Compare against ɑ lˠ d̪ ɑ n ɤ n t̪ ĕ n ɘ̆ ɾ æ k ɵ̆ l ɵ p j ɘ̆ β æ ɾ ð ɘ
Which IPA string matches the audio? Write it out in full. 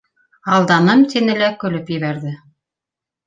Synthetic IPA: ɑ lˠ d̪ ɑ n ɤ m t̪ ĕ n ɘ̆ l æ k ɵ̆ l ɵ p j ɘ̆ β æ ɾ ð ɘ